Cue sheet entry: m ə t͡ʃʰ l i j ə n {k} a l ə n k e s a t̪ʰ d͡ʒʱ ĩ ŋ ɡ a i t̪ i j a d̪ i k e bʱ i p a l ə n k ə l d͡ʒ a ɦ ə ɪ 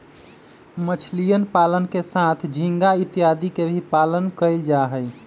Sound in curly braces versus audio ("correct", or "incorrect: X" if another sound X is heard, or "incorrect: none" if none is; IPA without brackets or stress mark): incorrect: p